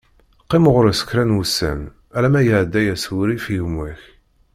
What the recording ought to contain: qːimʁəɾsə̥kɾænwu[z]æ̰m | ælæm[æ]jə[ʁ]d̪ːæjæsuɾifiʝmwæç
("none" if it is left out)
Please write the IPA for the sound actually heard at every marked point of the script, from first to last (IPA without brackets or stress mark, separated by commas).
s, æ, ʕ